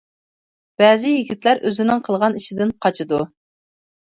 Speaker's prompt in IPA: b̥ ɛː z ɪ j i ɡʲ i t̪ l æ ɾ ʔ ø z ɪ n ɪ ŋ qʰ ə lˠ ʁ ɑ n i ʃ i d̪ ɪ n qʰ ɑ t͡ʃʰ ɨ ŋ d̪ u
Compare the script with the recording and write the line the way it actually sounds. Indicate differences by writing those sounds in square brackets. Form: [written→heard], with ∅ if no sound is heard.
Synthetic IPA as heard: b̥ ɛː z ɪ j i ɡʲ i t̪ l æ ɾ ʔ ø z ɪ n ɪ ŋ qʰ ə lˠ ʁ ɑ n i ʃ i d̪ ɪ n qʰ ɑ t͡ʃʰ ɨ [ŋ→∅] d̪ u